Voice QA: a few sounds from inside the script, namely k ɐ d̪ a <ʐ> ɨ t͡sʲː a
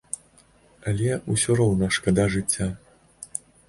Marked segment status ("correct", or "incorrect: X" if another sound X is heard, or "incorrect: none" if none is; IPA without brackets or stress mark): correct